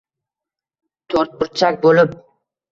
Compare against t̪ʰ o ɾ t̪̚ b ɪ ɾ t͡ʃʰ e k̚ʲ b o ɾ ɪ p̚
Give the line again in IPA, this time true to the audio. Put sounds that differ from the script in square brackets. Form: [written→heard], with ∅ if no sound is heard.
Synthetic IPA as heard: t̪ʰ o ɾ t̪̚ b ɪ ɾ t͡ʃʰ [e→a] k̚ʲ b o [ɾ→l] ɪ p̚